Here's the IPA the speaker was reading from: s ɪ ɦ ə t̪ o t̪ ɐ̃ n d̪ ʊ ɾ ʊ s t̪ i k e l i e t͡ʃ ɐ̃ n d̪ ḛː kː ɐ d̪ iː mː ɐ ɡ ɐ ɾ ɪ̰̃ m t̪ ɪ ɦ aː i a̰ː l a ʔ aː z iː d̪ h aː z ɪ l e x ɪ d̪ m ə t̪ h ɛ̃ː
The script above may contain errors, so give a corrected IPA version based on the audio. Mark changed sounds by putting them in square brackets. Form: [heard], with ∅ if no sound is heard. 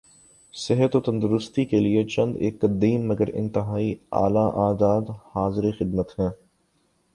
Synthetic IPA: s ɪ ɦ ə t̪ o t̪ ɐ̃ n d̪ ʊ ɾ ʊ s t̪ i k e l i e t͡ʃ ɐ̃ n d̪ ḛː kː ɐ d̪ iː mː ɐ ɡ [ə] ɾ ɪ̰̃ [n] t̪ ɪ ɦ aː i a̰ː l a ʔ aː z [aː] d̪ h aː z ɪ [ɾ] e x ɪ d̪ m ə t̪ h ɛ̃ː